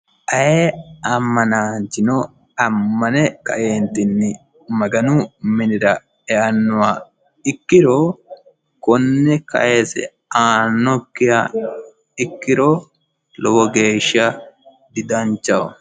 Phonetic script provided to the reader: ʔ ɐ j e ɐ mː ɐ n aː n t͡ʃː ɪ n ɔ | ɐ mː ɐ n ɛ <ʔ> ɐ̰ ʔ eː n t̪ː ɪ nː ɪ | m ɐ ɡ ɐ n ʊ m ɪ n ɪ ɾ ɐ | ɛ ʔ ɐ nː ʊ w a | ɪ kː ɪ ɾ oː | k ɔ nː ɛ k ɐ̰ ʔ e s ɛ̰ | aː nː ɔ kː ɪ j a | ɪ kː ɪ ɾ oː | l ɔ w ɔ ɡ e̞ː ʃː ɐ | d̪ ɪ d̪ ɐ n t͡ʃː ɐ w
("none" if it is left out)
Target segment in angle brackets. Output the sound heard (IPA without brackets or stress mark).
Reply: k